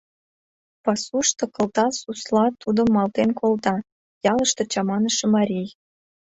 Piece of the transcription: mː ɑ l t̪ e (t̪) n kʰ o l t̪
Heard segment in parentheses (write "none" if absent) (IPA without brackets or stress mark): none